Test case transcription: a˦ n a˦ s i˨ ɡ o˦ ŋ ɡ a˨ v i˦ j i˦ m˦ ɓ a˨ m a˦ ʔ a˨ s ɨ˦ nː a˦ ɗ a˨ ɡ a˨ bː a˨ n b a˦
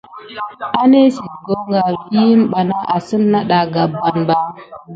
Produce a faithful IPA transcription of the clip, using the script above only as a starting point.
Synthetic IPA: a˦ n e˦ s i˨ ɡ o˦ ŋ ɡ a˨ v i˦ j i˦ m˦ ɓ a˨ n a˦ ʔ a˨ s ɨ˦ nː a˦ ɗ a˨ ɡ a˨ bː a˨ n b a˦